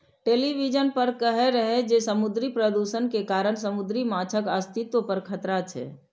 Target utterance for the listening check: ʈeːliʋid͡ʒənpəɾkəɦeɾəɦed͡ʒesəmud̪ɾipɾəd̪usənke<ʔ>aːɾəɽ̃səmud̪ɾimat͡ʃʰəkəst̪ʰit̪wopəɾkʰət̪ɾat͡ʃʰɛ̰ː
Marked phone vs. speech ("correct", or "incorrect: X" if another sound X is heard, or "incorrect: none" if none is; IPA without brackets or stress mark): incorrect: k